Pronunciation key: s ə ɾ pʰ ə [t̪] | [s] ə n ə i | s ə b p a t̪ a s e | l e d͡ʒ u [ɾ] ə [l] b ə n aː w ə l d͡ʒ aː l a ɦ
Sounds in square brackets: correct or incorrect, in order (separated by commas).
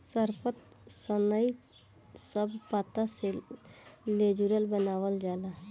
correct, correct, correct, correct